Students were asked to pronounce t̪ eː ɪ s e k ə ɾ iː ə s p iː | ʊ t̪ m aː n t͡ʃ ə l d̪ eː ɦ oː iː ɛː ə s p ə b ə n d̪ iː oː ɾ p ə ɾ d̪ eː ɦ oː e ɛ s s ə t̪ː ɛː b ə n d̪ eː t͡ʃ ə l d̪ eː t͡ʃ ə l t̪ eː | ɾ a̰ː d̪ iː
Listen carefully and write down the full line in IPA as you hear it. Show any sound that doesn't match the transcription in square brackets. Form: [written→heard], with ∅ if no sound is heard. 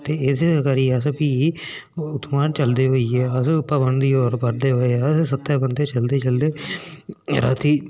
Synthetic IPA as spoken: t̪ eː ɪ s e k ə ɾ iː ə s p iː | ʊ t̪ m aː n t͡ʃ ə l d̪ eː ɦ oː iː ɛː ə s p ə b ə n d̪ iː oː ɾ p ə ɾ d̪ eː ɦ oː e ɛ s s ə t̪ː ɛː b ə n d̪ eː t͡ʃ ə l d̪ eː t͡ʃ ə l [t̪→d̪] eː | ɾ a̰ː [d̪→t̪] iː

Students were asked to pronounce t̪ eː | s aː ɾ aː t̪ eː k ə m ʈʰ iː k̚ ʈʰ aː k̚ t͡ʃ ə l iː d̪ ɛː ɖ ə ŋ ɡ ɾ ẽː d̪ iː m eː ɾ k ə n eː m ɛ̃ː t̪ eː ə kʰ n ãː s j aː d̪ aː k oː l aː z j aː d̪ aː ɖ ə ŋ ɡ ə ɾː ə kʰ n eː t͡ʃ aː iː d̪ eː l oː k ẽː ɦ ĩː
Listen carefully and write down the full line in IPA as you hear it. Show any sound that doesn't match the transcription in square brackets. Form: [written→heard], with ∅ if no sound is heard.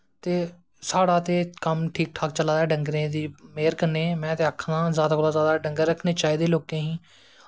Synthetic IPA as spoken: t̪ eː | s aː [ɾ→ɽ] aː t̪ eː k ə m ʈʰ iː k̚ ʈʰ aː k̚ t͡ʃ ə l [iː→aː] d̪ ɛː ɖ ə ŋ ɡ ɾ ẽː d̪ iː m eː ɾ k ə n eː m ɛ̃ː t̪ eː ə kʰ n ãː [s→z] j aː d̪ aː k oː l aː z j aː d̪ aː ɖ ə ŋ ɡ ə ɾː ə kʰ n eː t͡ʃ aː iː d̪ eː l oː k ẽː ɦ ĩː

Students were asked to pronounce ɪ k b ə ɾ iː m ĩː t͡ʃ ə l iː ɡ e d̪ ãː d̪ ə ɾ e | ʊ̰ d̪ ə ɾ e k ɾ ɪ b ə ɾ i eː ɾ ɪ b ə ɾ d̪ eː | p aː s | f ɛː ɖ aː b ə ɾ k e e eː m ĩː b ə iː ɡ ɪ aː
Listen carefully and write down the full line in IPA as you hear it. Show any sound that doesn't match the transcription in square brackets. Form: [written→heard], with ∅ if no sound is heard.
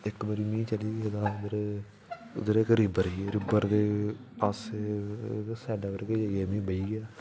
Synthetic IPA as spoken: ɪ k b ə ɾ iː m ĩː t͡ʃ ə l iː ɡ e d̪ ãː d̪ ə ɾ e | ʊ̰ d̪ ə ɾ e k ɾ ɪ b ə ɾ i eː ɾ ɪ b ə ɾ d̪ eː | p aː s | [f→s] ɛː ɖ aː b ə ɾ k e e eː m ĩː b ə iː ɡ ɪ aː

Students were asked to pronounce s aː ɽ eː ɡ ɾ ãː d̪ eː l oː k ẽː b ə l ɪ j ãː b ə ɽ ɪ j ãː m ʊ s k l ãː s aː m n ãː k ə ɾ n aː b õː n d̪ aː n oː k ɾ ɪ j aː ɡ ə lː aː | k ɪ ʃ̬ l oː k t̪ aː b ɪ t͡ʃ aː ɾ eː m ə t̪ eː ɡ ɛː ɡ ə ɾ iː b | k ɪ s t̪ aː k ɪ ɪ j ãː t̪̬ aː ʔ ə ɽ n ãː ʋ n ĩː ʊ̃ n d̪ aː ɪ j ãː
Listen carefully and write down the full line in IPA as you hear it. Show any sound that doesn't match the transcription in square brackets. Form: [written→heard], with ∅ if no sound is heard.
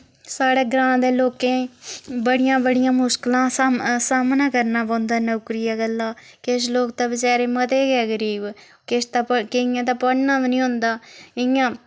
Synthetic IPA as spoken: s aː ɽ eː ɡ ɾ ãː d̪ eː l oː k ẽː b ə [l→ɽ] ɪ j ãː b ə ɽ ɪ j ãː m ʊ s k l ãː s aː m n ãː k ə ɾ n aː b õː n d̪ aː n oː k ɾ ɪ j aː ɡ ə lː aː | k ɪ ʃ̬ l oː k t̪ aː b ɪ t͡ʃ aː ɾ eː m ə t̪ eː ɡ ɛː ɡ ə ɾ iː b | k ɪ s t̪ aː k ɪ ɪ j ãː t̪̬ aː [ʔ→p] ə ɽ n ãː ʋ n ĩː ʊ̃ n d̪ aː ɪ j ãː

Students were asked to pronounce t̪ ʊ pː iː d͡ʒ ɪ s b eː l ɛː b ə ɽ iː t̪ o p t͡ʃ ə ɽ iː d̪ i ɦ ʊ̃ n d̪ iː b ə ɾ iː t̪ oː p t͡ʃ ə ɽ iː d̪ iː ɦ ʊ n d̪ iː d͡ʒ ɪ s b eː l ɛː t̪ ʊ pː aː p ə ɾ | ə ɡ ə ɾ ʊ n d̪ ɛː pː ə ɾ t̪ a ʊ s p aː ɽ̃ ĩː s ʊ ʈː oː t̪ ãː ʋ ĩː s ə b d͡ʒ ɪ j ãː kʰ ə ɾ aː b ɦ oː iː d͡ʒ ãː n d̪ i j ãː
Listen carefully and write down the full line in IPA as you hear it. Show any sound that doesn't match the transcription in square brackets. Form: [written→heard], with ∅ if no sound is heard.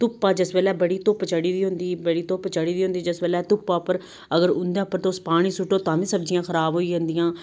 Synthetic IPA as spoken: t̪ ʊ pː [iː→aː] d͡ʒ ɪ s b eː l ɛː b ə ɽ iː t̪ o p t͡ʃ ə ɽ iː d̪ [i→iː] ɦ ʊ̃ n d̪ iː b ə [ɾ→ɽ] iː t̪ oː p t͡ʃ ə ɽ iː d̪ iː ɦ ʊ n d̪ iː d͡ʒ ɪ s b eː l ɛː t̪ ʊ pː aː p ə ɾ | ə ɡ ə ɾ ʊ n d̪ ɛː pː ə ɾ t̪ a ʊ s p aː ɽ̃ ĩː s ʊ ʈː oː t̪ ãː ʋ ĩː s ə b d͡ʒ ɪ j ãː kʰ ə ɾ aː b ɦ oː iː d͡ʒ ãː n d̪ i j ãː

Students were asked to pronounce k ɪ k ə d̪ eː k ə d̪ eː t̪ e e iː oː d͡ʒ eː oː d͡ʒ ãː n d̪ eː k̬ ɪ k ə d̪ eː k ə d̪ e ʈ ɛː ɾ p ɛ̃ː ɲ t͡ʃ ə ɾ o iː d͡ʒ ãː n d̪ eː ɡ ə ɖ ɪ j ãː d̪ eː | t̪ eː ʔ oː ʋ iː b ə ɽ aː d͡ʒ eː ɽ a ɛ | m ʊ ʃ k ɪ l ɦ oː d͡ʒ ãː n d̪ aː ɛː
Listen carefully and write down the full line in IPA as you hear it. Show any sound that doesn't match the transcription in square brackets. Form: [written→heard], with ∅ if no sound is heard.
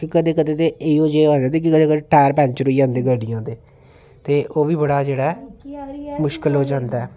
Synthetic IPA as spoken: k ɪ k ə d̪ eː k ə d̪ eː t̪ e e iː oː d͡ʒ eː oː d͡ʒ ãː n d̪ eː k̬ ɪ k ə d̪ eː k ə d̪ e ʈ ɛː ɾ p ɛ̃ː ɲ t͡ʃ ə ɾ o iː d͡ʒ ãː n d̪ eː ɡ ə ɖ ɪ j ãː d̪ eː | t̪ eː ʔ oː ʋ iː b ə ɽ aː d͡ʒ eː ɽ a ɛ | m ʊ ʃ k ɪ l ɦ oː d͡ʒ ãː n d̪ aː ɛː

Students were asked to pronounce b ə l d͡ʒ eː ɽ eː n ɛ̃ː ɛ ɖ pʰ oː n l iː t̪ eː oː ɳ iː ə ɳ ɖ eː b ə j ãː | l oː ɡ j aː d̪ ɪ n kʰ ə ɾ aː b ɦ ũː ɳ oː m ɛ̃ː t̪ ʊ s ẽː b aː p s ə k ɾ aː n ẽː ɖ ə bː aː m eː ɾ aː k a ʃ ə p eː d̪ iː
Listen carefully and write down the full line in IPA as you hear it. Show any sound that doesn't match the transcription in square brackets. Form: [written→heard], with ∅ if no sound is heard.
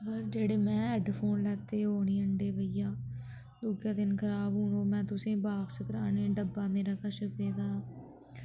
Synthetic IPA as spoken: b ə [l→ɾ] d͡ʒ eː ɽ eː [n→m] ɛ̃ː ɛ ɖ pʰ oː n l [iː→ɛː] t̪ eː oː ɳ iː ə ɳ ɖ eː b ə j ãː | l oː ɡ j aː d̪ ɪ n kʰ ə ɾ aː b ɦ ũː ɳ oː m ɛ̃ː t̪ ʊ s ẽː b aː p s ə k ɾ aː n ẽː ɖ ə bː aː m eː ɾ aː k a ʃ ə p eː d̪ [iː→aː]

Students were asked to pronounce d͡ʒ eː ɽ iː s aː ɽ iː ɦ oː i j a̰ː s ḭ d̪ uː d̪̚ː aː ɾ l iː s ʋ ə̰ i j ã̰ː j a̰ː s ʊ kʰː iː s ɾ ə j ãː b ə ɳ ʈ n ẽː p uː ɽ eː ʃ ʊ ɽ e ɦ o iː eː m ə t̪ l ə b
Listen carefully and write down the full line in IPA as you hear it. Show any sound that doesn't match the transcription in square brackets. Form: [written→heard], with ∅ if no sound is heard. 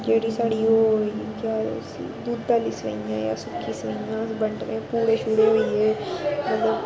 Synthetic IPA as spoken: d͡ʒ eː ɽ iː s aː ɽ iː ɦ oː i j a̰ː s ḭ d̪ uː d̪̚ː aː [ɾ→∅] l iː s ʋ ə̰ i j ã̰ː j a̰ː s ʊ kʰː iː s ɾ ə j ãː b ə ɳ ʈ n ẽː p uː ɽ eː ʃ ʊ ɽ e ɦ o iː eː m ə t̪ l ə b

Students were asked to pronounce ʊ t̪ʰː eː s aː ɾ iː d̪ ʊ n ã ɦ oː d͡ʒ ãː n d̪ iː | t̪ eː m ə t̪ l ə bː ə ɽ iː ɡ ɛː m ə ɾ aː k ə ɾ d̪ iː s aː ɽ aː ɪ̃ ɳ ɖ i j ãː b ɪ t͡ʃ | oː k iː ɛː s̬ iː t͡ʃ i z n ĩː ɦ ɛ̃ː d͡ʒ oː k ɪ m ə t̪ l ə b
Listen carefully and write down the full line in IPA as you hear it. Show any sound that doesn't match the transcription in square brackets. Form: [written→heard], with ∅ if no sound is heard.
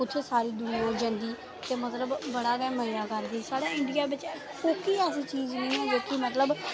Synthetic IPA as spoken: ʊ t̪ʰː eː s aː ɾ iː d̪ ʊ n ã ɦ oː d͡ʒ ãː n d̪ iː | t̪ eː m ə t̪ l ə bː ə ɽ [iː→aː] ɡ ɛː m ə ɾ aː k ə ɾ d̪ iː s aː ɽ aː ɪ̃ ɳ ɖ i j [ãː→aː] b ɪ t͡ʃ | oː k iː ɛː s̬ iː t͡ʃ [i→iː] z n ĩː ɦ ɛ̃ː d͡ʒ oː k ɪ m ə t̪ l ə b

